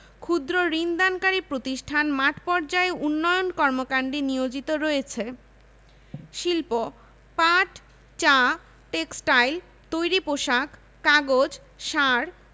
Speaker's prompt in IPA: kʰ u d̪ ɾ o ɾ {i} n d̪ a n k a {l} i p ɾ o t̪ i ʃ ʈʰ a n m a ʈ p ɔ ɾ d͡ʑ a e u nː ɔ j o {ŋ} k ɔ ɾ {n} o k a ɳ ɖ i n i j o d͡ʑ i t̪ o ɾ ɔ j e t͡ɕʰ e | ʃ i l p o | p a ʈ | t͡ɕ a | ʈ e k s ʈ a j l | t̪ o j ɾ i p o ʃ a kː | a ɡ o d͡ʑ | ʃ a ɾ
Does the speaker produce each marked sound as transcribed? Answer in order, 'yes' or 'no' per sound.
yes, no, no, no

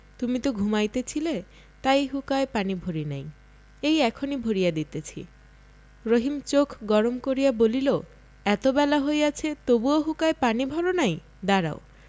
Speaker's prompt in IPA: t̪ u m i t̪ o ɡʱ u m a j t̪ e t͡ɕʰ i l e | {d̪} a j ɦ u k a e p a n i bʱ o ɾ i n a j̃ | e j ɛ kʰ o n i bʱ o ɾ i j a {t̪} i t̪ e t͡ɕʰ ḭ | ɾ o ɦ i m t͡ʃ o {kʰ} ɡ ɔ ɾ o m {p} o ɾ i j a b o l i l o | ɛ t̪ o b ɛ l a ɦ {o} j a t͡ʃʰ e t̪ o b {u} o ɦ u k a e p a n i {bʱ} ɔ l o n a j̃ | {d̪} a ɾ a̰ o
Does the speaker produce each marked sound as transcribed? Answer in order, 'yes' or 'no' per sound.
no, no, yes, no, yes, yes, yes, yes

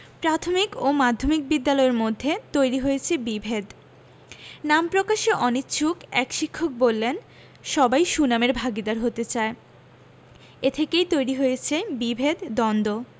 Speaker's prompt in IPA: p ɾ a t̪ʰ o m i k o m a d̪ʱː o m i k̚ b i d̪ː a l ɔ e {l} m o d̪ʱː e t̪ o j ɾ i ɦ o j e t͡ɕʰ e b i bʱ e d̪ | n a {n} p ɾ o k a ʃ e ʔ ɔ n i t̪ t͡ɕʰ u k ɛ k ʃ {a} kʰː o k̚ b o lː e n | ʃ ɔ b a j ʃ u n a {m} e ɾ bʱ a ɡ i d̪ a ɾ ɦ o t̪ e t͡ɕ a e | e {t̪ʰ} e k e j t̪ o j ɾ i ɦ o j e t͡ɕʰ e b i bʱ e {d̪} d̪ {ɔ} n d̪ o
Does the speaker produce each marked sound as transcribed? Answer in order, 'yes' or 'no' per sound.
no, no, no, yes, yes, yes, yes

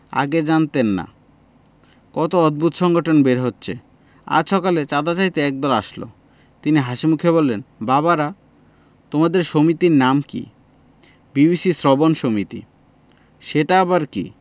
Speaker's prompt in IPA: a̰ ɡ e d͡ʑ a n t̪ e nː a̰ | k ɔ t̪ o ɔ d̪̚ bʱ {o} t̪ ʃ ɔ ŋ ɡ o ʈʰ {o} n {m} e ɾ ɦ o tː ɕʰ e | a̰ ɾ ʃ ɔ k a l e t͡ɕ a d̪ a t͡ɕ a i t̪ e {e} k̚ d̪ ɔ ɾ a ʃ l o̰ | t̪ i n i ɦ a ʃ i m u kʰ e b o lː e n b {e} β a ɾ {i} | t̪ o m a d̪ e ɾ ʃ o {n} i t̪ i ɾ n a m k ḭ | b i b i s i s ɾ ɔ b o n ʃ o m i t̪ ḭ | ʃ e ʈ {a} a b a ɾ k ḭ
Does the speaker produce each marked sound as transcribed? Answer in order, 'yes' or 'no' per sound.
no, yes, no, no, no, no, no, yes

